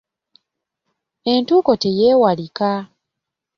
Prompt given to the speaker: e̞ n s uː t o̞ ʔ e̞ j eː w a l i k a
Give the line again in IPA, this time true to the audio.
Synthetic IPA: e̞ n t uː k o̞ t e̞ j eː w a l i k a